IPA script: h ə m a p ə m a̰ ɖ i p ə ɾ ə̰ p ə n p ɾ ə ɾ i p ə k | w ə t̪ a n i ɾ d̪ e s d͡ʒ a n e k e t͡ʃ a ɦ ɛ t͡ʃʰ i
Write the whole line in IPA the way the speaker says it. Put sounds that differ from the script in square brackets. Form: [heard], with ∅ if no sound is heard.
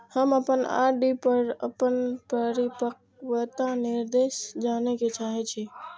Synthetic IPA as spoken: h ə m [ə] p ə [n] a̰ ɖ i p ə ɾ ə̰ p ə n p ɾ ə ɾ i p ə k | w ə t̪ a n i ɾ d̪ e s d͡ʒ a n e k e t͡ʃ a ɦ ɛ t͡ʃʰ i